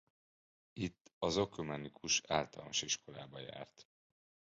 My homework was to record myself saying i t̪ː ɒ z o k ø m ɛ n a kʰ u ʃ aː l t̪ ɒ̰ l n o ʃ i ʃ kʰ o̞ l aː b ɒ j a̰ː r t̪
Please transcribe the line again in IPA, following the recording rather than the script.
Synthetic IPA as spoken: i t̪ː ɒ z o k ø m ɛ n i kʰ u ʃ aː l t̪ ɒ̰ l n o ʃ i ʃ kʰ o̞ l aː b ɒ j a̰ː r t̪